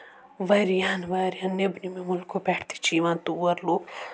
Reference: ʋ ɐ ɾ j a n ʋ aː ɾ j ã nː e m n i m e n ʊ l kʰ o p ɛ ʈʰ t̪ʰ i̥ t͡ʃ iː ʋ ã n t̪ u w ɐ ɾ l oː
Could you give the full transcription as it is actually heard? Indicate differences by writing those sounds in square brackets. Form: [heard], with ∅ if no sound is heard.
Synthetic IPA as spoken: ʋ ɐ ɾ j a n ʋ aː ɾ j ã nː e [b] n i m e [m] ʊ l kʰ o p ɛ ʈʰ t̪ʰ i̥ t͡ʃ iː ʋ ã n t̪ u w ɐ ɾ l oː